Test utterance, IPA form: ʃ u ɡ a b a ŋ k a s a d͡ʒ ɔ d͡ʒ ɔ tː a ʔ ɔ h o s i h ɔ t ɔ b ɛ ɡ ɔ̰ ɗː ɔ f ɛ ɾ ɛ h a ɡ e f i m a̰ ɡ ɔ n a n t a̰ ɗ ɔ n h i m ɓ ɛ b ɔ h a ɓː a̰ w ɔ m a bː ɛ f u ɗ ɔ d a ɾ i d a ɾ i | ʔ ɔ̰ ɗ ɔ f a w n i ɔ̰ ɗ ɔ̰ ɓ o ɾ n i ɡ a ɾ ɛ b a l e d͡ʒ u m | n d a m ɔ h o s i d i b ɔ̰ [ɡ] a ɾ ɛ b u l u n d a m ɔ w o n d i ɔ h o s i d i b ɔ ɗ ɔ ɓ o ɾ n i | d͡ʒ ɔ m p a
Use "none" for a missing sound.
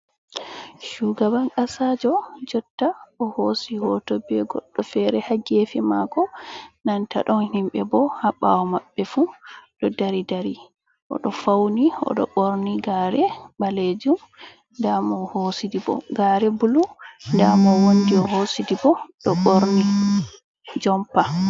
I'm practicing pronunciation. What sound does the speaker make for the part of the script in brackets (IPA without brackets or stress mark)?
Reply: ɡ